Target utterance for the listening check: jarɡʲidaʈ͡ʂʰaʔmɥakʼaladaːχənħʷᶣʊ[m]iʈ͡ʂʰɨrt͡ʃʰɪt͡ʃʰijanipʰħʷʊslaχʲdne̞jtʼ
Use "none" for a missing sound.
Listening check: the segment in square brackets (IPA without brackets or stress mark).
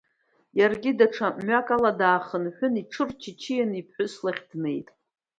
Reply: n